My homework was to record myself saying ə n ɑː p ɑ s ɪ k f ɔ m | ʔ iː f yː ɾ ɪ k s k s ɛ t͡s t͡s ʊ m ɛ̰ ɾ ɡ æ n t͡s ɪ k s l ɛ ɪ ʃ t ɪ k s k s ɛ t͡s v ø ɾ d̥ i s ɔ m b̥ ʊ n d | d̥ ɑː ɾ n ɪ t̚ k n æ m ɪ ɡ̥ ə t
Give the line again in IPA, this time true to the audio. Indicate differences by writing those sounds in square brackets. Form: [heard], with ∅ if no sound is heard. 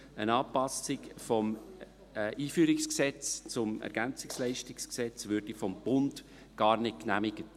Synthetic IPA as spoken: ə n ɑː p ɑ s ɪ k f ɔ m | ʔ iː f yː ɾ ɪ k s k s ɛ t͡s t͡s ʊ m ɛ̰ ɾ ɡ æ n t͡s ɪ k s l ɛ ɪ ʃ t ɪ k s k s ɛ t͡s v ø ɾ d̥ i [f] ɔ m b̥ ʊ n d | [ɡ̥] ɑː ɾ n ɪ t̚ k n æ m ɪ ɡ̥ ə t